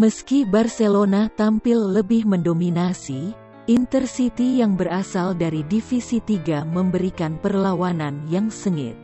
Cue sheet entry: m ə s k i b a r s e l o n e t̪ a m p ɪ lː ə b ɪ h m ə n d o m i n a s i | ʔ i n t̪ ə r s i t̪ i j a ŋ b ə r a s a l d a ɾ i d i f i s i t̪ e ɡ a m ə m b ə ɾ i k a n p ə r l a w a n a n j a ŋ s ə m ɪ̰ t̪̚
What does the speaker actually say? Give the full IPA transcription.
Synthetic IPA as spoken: m ə s k i b a r s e l o n a t̪ a m p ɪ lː ə b ɪ h m ə n d o m i n a s i | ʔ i n t̪ ə r s i t̪ i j a ŋ b ə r a s a l d a ɾ i d i f i s i t̪ i ɡ a m ə m b ə ɾ i k a n p ə r l a w a n a n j a ŋ s ə ŋ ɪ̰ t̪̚